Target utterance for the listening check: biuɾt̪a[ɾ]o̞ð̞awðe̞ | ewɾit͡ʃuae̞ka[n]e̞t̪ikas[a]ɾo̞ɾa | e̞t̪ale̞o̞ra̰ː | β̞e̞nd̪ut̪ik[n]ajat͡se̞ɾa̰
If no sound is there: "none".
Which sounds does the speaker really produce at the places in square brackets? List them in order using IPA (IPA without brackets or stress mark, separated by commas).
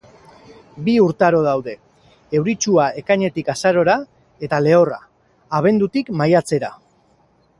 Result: ɾ, ɲ, a, m